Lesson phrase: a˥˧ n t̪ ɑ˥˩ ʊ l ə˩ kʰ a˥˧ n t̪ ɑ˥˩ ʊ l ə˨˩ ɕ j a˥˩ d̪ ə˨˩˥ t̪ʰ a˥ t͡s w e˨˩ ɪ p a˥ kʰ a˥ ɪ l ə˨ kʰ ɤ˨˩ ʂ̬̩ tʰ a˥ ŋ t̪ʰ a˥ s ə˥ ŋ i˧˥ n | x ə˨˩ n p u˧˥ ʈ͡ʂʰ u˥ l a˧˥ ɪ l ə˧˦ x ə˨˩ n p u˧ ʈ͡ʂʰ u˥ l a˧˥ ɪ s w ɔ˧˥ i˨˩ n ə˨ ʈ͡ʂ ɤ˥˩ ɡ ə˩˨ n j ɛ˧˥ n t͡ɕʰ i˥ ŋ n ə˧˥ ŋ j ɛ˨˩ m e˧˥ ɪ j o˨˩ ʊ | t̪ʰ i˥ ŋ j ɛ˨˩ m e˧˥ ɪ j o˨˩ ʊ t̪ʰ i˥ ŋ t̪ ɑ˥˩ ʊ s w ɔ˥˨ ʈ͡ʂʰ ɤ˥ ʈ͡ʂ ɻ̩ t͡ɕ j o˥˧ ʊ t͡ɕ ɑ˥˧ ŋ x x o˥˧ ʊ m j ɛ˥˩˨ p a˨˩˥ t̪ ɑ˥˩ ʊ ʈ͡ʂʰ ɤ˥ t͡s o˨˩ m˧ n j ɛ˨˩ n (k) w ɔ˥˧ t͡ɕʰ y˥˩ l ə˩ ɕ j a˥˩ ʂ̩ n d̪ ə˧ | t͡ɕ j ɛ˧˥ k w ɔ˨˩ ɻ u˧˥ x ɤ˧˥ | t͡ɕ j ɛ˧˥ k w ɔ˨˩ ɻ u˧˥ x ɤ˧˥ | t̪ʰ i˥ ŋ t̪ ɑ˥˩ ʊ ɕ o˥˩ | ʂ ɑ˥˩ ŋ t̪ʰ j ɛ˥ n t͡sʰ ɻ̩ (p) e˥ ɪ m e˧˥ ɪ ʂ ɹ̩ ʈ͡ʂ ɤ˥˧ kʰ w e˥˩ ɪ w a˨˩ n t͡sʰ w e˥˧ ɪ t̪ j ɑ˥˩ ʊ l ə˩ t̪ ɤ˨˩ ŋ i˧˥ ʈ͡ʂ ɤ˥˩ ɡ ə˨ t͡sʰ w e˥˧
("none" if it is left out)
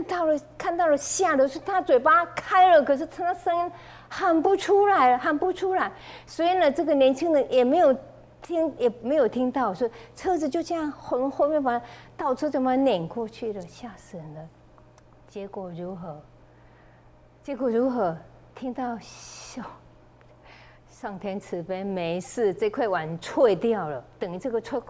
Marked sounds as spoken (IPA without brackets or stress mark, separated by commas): k, p